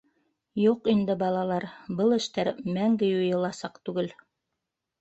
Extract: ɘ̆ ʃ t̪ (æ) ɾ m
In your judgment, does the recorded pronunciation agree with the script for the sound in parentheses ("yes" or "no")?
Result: yes